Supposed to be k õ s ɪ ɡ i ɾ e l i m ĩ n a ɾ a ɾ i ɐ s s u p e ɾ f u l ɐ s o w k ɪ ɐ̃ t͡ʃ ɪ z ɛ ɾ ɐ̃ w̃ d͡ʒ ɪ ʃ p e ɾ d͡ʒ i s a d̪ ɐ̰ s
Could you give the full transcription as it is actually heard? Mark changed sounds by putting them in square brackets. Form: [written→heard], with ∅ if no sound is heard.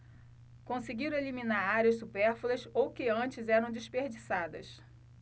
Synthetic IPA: k õ s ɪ ɡ i ɾ e l i m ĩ n a ɾ a ɾ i ɐ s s u p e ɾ f u l ɐ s o w k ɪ ɐ̃ t͡ʃ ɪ z ɛ ɾ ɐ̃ w̃ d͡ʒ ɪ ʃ p e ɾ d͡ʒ i s a d̪ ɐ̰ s